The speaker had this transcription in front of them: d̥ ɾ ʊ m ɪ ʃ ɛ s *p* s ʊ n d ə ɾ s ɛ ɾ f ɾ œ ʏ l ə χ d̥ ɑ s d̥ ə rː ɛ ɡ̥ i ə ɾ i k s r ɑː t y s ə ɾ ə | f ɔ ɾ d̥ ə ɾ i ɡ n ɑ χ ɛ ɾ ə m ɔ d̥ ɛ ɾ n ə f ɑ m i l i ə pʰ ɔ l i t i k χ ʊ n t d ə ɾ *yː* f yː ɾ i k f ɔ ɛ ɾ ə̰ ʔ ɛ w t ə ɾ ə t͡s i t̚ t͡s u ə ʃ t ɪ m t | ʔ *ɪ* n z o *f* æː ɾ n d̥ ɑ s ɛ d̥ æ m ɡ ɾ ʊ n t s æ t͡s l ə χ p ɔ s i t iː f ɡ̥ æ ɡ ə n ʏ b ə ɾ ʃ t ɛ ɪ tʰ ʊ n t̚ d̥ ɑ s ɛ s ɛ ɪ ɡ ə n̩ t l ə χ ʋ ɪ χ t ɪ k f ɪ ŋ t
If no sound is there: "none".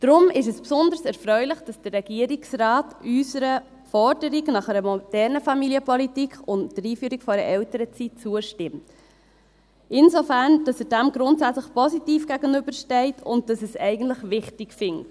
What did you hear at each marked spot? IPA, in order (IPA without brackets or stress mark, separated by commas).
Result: p, iː, ɪ, f